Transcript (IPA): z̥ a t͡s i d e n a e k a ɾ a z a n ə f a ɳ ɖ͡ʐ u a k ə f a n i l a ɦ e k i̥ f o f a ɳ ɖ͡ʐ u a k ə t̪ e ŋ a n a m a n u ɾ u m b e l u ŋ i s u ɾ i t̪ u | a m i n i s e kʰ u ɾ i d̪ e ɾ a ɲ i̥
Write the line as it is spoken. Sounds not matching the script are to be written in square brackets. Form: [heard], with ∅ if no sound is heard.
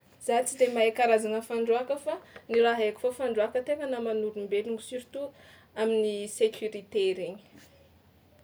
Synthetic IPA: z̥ a t͡s i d e [m] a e k a ɾ a z a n ə f a ɳ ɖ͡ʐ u a k ə f a n i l a ɦ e k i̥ f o f a ɳ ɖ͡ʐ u a k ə t̪ e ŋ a n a m a n u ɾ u m b e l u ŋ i s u ɾ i t̪ u | a m i n i s e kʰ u ɾ i [t̪] e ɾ [e] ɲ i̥